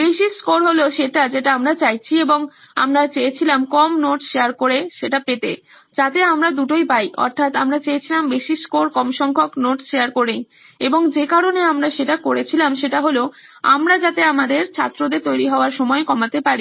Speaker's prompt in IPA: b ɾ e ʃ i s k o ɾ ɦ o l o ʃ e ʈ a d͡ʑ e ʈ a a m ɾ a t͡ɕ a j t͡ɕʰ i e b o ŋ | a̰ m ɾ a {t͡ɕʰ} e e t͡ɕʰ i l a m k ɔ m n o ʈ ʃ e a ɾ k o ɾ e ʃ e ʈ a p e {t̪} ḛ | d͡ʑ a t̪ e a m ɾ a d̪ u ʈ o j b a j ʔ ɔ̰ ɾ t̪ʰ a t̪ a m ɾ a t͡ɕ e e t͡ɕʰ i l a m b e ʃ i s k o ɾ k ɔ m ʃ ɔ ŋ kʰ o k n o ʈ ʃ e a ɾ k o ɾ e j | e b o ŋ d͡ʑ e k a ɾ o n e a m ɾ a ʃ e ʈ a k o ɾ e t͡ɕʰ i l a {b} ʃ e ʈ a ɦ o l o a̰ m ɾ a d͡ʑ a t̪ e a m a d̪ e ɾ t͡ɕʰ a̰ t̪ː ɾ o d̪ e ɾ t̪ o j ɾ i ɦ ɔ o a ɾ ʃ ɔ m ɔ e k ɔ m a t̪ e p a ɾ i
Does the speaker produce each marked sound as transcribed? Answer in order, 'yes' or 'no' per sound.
no, yes, no

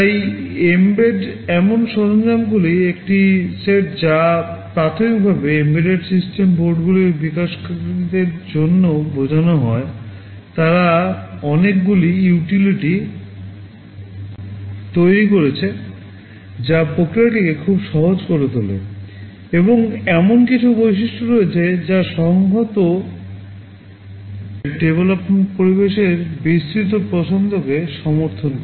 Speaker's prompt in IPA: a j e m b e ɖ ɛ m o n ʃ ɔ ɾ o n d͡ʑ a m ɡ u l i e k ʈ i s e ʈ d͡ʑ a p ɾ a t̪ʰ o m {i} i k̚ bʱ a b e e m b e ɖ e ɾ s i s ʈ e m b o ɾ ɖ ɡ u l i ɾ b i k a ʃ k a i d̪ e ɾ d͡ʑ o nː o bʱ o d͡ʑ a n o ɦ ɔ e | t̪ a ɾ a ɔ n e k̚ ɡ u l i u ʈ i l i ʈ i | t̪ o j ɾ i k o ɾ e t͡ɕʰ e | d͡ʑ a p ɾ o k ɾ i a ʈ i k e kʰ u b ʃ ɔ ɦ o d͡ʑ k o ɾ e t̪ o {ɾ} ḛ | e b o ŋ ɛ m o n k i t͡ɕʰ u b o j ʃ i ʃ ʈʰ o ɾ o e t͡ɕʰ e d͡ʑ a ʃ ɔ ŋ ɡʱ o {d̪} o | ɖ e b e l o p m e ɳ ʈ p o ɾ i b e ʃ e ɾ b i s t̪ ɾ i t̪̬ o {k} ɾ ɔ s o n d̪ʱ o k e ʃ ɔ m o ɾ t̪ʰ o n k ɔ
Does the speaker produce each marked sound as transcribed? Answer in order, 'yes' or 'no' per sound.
yes, no, no, no

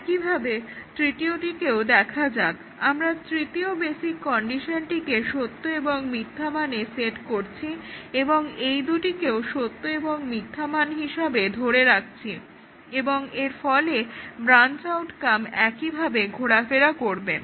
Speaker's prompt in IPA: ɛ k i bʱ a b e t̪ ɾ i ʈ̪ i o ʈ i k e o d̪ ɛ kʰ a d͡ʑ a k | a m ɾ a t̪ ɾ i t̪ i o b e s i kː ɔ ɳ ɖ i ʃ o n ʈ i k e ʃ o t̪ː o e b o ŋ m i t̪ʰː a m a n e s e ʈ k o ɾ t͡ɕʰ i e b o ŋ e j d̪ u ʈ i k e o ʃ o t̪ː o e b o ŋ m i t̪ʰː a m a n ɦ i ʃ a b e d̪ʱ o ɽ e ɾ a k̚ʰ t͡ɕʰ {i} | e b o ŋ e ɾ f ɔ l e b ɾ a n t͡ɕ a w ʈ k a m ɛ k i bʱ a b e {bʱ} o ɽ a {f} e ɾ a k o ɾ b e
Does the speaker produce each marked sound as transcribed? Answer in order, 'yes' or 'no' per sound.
yes, no, yes

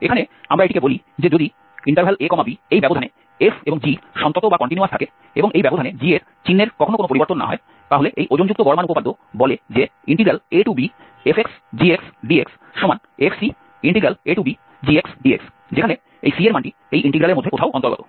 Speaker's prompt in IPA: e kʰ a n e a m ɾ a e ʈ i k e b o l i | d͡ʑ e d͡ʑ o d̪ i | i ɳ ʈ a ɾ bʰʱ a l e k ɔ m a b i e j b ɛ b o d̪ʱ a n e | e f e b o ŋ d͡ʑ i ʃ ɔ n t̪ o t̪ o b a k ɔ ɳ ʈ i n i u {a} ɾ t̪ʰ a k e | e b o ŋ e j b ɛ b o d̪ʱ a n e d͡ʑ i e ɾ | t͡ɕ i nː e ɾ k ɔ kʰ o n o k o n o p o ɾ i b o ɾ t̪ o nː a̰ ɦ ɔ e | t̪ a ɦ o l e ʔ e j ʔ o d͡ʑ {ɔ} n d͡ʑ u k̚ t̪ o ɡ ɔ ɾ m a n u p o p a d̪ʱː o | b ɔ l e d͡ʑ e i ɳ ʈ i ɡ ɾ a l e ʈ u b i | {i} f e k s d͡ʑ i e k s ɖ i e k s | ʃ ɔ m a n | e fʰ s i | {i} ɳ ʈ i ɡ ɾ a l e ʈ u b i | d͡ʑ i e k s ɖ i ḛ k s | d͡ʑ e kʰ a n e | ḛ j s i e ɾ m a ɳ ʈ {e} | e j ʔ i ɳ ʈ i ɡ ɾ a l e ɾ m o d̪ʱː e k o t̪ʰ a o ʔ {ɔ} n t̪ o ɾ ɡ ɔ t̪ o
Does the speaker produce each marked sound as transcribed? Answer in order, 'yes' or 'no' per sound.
yes, no, no, yes, no, yes

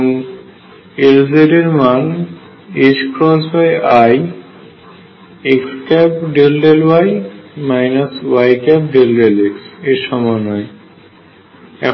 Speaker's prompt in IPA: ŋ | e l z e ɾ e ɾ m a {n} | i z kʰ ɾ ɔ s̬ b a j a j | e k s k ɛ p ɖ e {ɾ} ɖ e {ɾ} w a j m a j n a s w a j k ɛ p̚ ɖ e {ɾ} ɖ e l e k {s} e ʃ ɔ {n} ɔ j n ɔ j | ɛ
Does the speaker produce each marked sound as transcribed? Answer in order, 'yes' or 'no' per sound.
yes, no, no, no, yes, no

